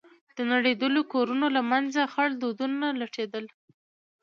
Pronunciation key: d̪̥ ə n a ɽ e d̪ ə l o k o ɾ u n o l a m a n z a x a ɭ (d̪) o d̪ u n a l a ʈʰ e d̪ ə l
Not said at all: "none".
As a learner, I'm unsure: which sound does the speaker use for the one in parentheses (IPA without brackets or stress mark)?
d̪